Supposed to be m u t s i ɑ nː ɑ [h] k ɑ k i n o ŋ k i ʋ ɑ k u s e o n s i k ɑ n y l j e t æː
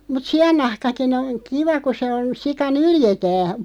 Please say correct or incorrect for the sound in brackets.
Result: correct